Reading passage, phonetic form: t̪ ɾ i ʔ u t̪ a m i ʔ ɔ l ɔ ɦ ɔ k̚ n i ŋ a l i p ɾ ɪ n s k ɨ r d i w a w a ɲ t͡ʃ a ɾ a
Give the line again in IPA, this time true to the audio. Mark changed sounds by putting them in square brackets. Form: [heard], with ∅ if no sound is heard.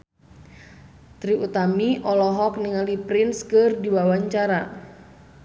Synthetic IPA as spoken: t̪ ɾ i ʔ u t̪ a m i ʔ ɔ l ɔ ɦ ɔ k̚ n i ŋ a l i p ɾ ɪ n s k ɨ r d i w a w a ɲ t͡ʃ a ɾ a